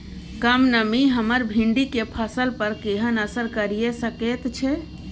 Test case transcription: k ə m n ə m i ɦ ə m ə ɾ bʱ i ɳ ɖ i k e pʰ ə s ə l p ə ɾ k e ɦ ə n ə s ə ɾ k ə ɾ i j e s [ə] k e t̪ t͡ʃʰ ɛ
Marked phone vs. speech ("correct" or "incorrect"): correct